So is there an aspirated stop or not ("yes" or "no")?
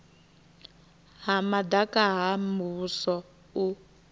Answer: no